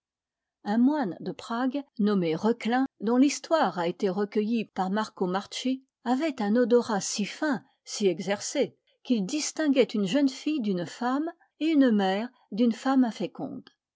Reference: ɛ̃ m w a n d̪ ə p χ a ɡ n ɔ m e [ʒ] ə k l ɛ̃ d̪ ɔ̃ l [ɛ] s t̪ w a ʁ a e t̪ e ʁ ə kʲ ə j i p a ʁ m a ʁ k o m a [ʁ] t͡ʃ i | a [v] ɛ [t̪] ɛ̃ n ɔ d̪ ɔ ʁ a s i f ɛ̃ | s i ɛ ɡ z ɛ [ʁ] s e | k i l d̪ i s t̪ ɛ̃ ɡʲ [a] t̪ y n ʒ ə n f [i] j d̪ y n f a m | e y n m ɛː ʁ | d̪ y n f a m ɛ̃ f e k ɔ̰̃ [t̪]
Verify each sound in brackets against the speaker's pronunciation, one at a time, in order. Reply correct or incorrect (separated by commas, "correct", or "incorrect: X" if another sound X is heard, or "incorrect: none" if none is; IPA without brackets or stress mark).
incorrect: ʁ, incorrect: i, correct, correct, correct, correct, incorrect: ɛ, correct, incorrect: d̪